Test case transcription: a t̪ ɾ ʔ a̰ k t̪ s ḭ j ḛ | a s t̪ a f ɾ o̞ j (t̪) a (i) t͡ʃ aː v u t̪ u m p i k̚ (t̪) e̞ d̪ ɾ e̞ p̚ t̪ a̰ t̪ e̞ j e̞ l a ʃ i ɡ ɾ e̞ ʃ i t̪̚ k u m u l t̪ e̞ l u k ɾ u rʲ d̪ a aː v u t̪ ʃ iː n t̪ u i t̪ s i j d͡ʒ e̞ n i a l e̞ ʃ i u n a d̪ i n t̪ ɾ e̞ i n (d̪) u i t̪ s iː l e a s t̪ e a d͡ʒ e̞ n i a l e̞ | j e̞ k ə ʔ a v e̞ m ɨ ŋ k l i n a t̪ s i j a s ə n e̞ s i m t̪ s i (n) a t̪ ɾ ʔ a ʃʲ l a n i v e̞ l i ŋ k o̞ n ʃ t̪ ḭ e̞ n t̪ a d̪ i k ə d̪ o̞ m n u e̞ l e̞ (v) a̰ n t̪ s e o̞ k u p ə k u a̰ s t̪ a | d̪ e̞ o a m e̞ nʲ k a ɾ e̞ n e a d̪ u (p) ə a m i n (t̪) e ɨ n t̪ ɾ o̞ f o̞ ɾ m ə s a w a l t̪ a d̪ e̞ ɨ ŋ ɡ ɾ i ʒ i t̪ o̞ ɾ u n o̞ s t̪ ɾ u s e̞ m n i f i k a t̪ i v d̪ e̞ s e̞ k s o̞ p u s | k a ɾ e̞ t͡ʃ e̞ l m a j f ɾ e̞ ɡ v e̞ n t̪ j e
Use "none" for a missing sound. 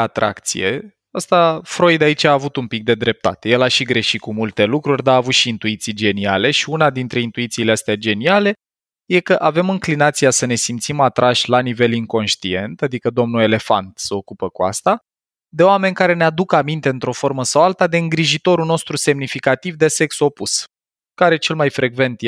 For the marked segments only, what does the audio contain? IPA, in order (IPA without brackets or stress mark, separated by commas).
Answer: d̪, i, d̪, t̪, m, f, k, t̪